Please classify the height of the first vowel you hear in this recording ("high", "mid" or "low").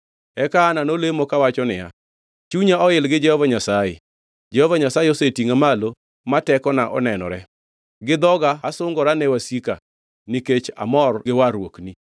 mid